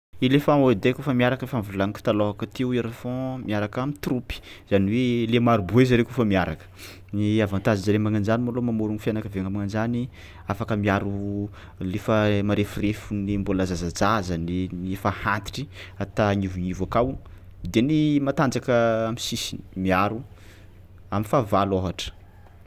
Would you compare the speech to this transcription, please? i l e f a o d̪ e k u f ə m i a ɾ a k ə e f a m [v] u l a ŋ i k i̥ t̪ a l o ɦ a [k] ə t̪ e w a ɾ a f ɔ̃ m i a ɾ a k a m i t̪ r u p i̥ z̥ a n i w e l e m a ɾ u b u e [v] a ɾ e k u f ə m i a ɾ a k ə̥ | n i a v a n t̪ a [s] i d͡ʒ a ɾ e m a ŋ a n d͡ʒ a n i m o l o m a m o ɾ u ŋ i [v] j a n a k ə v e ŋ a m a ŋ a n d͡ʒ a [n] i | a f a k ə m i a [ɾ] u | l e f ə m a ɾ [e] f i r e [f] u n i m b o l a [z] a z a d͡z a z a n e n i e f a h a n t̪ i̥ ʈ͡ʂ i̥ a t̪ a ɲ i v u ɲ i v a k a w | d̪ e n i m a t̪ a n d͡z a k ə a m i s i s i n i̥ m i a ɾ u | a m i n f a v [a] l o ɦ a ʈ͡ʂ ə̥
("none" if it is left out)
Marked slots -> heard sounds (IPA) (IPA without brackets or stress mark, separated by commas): v, k, z, z, f, n, ɾ, e, f, z, a